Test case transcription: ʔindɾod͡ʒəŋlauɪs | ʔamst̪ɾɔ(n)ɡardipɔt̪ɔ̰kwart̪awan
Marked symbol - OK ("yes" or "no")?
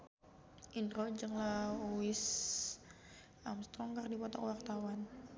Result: no